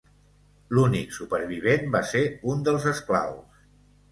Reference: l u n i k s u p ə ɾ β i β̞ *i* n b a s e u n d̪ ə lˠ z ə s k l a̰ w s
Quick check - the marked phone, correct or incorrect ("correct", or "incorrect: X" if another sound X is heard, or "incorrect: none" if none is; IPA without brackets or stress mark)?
incorrect: e